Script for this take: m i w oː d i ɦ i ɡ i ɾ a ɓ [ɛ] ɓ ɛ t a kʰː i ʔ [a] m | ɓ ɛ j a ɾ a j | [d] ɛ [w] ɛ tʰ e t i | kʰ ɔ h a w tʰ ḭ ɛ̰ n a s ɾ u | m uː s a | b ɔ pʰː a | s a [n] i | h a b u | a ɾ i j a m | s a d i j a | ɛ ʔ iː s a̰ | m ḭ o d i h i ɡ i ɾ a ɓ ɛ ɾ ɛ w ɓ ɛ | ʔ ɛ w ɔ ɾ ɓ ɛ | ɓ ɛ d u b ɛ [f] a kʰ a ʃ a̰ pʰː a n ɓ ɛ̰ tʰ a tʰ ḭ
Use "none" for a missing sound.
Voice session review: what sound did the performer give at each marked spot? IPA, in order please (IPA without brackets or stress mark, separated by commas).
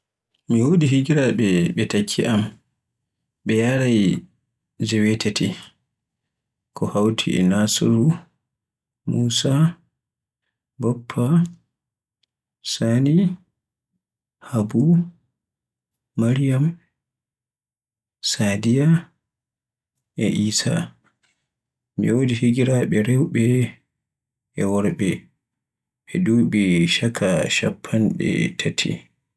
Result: ɛ, a, d͡ʒ, w, n, ʃ